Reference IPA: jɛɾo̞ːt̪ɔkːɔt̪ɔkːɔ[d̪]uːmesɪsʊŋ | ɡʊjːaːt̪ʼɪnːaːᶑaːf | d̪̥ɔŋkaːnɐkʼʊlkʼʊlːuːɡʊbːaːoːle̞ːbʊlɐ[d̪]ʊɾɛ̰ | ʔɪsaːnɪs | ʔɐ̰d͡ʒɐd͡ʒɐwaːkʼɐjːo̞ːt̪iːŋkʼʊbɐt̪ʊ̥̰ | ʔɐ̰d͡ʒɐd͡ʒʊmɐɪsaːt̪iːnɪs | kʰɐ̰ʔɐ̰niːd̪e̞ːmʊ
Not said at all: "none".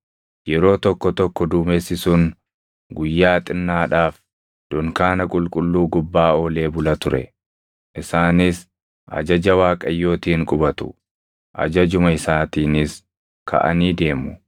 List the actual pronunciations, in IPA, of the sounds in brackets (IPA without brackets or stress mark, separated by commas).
d̪, t̪